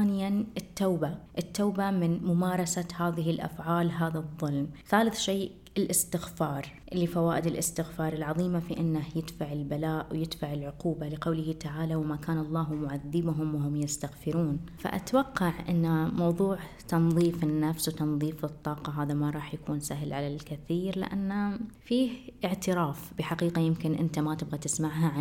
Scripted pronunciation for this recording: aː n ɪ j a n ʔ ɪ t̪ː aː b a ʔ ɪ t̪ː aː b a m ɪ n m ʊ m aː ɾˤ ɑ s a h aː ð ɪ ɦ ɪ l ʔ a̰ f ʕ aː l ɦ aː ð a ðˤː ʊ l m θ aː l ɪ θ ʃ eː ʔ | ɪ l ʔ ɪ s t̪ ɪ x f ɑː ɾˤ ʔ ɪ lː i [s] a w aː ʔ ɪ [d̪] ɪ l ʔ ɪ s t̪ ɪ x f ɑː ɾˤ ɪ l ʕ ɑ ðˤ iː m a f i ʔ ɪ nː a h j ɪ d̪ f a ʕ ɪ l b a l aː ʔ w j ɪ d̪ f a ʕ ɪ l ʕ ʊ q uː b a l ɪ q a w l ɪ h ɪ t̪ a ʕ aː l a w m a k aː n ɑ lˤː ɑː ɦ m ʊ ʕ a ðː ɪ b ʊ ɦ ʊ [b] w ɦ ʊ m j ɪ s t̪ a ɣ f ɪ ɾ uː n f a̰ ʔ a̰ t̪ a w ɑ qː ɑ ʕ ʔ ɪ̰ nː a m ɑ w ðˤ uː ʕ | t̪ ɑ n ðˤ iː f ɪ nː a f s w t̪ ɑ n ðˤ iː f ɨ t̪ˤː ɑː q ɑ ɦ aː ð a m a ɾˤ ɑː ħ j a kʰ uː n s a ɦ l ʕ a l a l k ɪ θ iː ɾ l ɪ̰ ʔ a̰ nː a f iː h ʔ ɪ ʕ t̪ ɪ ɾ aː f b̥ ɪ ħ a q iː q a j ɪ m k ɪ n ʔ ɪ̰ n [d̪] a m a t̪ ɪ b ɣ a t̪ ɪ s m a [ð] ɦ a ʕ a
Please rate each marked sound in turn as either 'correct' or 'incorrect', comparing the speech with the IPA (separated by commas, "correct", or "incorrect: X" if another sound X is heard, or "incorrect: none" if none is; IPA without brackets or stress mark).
incorrect: f, correct, incorrect: m, incorrect: t̪, incorrect: ʕ